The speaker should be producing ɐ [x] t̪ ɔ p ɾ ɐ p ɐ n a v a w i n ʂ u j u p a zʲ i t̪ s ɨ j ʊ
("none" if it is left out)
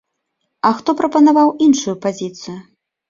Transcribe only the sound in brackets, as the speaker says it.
x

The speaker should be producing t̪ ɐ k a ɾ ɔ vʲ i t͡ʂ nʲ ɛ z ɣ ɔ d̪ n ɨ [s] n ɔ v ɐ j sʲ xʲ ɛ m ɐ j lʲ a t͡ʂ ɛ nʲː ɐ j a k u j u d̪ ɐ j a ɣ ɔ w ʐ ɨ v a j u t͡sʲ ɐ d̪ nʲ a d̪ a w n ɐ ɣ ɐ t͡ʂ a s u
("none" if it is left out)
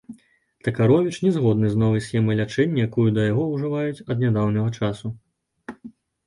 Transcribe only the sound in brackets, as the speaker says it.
z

